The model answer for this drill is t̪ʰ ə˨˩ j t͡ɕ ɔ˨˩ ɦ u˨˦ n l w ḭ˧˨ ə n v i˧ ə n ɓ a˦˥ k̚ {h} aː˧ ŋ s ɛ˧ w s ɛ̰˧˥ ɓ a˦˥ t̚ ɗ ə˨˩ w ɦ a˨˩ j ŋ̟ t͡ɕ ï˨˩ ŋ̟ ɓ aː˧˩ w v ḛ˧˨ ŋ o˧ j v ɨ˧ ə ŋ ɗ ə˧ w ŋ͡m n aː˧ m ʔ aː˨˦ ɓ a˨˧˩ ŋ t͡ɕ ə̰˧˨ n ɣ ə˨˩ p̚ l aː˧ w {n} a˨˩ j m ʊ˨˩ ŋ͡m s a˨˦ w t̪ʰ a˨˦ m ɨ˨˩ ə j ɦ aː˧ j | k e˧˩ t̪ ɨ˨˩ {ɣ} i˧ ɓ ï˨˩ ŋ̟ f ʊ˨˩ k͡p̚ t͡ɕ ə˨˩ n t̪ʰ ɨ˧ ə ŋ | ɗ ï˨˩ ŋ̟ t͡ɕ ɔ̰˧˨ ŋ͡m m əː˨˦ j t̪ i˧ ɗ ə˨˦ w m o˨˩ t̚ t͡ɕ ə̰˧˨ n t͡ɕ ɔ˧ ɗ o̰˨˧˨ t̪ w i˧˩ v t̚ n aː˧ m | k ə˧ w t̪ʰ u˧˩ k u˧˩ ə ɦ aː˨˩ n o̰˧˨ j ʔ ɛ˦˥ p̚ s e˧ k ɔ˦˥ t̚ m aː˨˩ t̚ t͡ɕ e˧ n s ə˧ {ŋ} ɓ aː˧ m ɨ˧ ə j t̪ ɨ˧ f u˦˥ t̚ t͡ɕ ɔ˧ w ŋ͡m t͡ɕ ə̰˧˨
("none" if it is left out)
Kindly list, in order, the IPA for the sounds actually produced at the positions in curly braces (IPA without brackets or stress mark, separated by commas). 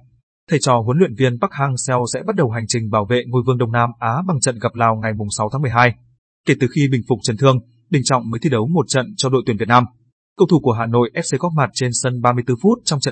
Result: h, ŋ, x, n